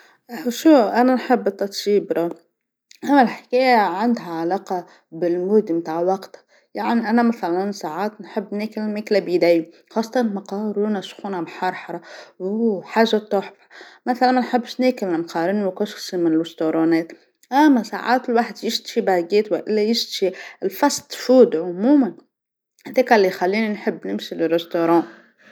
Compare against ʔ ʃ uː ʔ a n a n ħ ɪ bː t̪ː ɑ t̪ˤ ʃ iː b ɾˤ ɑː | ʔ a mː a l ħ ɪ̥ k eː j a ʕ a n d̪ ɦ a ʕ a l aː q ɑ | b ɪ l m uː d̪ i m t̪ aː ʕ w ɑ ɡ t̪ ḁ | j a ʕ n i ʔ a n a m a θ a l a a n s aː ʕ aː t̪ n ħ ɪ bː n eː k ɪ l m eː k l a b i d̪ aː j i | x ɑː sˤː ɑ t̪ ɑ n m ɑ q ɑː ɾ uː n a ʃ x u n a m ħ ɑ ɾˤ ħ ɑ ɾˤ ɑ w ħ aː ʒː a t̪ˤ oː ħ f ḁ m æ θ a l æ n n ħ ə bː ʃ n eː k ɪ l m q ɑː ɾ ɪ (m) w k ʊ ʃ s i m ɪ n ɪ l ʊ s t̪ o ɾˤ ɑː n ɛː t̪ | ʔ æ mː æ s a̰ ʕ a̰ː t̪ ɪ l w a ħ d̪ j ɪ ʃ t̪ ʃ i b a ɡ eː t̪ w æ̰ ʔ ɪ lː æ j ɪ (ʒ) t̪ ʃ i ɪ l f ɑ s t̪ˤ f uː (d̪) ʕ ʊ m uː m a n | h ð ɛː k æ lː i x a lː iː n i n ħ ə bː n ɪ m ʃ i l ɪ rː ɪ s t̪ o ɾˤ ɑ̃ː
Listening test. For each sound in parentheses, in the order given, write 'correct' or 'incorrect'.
incorrect: n, incorrect: ʃ, correct

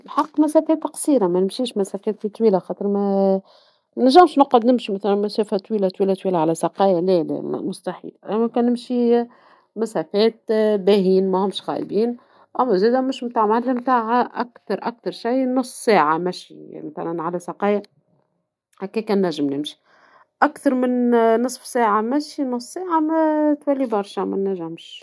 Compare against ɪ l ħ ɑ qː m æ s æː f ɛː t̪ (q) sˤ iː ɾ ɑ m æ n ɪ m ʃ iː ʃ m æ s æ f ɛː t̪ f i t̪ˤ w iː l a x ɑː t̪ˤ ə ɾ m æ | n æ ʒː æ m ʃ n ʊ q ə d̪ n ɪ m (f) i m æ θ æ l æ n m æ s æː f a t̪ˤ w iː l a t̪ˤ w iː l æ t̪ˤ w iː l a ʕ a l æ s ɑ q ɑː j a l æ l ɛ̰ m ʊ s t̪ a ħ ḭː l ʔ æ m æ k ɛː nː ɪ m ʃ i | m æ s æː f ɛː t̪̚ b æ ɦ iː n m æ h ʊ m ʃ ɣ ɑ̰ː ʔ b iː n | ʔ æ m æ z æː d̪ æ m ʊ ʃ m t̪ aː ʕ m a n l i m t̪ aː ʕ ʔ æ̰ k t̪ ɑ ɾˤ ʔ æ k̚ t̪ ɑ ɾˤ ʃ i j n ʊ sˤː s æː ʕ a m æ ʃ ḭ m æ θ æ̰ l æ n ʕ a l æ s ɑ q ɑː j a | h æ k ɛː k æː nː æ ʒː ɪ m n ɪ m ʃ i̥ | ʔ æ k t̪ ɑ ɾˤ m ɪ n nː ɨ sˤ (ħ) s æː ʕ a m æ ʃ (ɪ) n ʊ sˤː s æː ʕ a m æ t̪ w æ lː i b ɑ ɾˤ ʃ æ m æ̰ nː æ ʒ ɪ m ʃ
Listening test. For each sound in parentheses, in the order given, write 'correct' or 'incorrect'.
correct, incorrect: ʃ, incorrect: f, incorrect: i

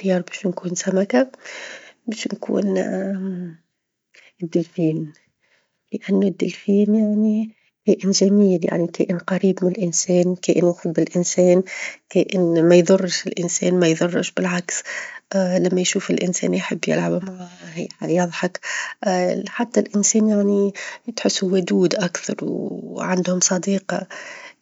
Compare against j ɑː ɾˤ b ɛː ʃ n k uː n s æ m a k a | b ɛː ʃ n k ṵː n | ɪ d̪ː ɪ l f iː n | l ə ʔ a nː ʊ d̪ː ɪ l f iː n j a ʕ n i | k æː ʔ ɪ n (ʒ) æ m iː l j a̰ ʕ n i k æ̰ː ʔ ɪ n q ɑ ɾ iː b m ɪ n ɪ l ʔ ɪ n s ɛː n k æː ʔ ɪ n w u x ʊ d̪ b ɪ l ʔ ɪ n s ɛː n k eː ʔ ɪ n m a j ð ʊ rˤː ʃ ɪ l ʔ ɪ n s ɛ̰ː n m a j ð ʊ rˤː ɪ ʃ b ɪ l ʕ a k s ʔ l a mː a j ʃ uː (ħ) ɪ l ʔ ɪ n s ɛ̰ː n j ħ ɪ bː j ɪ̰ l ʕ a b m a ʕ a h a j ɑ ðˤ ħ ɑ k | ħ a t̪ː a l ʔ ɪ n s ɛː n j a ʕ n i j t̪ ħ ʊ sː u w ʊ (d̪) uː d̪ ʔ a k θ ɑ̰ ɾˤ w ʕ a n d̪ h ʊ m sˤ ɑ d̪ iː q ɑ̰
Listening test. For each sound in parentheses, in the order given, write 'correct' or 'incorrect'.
correct, incorrect: f, correct

